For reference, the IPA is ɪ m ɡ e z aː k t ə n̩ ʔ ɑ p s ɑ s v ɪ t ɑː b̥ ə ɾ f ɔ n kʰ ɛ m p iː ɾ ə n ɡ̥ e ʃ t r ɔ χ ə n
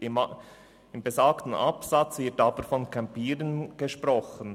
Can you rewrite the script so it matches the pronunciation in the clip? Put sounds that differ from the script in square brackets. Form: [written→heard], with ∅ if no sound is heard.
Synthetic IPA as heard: ɪ m [ɡ→b] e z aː k t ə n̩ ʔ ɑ p s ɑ [s→t͡s] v ɪ t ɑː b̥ ə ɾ f ɔ n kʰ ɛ m p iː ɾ ə n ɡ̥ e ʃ [t→p] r ɔ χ ə n